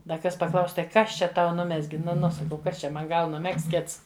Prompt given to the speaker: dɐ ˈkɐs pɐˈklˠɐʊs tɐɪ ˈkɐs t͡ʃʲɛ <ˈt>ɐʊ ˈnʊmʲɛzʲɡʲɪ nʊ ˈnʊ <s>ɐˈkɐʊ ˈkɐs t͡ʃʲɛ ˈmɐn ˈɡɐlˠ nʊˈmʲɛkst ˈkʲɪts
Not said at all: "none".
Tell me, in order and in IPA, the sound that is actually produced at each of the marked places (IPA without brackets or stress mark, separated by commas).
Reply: t, s